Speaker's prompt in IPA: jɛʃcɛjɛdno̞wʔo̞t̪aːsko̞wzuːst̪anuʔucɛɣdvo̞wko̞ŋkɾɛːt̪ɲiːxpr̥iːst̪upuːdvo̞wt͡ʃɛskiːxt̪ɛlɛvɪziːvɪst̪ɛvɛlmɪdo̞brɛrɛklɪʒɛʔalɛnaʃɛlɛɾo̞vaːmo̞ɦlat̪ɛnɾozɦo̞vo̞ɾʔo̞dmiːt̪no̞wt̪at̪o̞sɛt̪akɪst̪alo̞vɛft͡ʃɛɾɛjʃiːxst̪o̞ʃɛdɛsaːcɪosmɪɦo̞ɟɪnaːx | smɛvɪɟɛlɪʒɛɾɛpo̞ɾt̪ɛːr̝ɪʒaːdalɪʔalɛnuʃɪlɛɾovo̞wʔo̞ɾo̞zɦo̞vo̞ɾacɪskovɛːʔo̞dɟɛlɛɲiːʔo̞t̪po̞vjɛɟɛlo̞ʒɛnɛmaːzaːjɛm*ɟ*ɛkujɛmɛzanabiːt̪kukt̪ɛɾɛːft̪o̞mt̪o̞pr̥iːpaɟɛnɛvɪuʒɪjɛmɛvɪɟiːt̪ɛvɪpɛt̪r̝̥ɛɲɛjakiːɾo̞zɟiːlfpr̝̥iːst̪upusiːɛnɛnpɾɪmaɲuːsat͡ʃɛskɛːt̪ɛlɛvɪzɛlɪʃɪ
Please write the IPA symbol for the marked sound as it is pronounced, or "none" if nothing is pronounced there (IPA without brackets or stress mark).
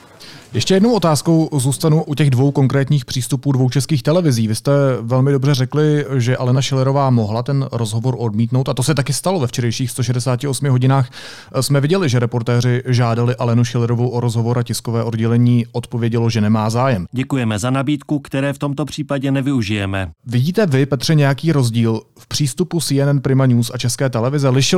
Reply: ɟ